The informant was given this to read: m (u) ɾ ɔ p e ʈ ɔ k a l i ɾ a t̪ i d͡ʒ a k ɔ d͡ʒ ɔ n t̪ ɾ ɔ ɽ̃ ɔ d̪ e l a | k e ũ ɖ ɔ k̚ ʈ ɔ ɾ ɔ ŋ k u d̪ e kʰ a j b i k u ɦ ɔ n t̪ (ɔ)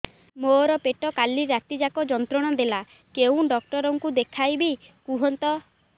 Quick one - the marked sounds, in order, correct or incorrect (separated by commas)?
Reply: incorrect, correct